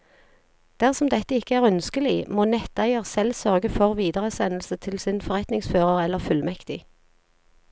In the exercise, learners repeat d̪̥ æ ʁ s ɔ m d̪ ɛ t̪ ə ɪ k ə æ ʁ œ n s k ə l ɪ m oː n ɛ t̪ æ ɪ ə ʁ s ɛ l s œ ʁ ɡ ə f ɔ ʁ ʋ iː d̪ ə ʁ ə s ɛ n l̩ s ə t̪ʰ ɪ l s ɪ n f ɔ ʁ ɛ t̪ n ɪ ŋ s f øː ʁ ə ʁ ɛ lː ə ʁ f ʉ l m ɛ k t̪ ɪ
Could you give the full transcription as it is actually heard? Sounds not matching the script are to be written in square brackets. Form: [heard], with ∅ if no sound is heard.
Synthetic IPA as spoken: d̪̥ æ ʁ s ɔ m d̪ ɛ t̪ ə ɪ k ə [æː] ʁ œ n s k ə l ɪ m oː n ɛ t̪ æ ɪ ə ʁ s ɛ l s œ ʁ ɡ ə f ɔ ʁ ʋ iː d̪ ə ʁ ə s ɛ n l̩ s ə t̪ʰ ɪ l s ɪ n f ɔ ʁ ɛ t̪ n ɪ ŋ s f øː ʁ ə ʁ ɛ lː ə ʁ f ʉ l m ɛ k t̪ ɪ